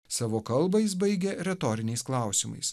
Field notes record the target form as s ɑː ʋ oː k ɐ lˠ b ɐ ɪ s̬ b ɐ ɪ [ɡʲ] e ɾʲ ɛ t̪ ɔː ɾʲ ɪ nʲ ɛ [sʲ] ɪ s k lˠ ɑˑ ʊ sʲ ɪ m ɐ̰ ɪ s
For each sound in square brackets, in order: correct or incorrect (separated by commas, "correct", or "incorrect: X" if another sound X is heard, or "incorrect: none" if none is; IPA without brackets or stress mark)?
correct, incorrect: none